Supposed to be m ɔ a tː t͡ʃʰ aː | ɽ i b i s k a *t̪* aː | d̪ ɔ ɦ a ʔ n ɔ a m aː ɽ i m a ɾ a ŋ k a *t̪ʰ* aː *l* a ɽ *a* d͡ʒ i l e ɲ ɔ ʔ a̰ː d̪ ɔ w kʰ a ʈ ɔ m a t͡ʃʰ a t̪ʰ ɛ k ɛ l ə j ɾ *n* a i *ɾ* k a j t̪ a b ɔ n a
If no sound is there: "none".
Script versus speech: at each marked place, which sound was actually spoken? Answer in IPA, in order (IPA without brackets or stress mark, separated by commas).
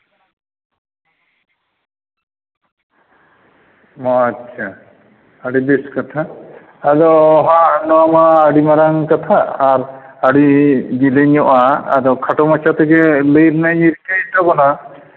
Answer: t̪ʰ, t̪ʰ, ɾ, i, n, ɾ